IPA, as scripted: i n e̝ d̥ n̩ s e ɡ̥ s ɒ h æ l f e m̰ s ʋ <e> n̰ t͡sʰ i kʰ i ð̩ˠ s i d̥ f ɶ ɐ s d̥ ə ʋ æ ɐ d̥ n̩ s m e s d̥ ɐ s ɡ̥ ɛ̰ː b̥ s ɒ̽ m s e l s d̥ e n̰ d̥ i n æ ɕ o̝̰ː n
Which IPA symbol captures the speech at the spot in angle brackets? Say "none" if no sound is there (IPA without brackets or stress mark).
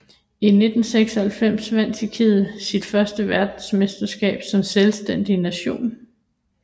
æ